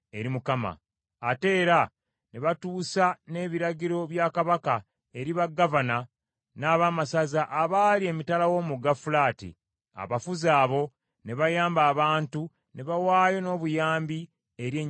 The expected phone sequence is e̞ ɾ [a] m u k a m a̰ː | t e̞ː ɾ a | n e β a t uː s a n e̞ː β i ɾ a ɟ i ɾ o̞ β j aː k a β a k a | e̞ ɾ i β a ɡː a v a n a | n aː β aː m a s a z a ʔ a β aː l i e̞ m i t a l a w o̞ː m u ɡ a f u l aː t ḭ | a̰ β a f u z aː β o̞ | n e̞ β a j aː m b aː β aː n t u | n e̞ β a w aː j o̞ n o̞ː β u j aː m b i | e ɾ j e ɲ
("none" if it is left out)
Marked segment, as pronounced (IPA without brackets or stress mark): i